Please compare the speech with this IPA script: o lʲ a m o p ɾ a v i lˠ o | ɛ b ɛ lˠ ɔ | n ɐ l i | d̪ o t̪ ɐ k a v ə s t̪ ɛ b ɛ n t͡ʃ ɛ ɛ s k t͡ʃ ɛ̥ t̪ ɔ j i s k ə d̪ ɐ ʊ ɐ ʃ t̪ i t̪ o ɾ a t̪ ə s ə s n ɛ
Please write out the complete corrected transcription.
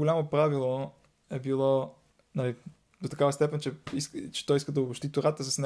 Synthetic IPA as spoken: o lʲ a m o p ɾ a v i lˠ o | ɛ b i lˠ ɔ | n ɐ l i | d̪ o t̪ ɐ k a v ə s t̪ ɛ p ɛ n t͡ʃ ɛ i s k t͡ʃ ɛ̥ t̪ ɔ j i s k ə d̪ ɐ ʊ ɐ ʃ t̪ i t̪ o ɾ a t̪ ə s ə s n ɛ